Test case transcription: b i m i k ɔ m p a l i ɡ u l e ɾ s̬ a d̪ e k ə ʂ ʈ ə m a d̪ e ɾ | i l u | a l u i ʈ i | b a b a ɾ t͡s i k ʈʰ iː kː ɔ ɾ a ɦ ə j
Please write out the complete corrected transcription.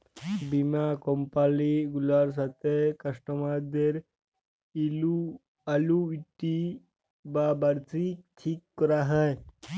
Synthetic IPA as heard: b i m a k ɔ m p a l i ɡ u l a ɾ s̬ a t̪ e k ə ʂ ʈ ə m a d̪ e ɾ | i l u | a l u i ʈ i | b a b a ɾ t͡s i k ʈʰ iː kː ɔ ɾ a ɦ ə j